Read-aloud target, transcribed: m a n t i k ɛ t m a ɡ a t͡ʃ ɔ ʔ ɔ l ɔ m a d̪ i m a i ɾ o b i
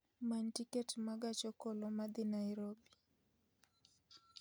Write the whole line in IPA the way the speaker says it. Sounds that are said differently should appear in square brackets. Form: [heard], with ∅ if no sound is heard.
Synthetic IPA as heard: m a n t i k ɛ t m a ɡ a t͡ʃ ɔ [k] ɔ l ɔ m a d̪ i [n] a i ɾ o b i